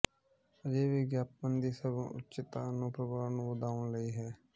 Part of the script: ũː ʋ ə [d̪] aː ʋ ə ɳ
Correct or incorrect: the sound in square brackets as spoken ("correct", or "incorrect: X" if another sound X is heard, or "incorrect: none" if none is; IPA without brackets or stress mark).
correct